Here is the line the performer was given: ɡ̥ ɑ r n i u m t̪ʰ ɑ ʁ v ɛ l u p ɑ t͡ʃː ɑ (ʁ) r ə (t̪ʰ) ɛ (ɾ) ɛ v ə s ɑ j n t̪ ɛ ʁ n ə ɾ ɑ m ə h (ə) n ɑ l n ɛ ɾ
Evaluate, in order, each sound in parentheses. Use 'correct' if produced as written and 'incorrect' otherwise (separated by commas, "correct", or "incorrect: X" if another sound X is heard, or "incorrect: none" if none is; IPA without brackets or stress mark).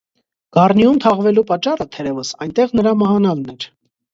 incorrect: none, correct, correct, incorrect: ɑ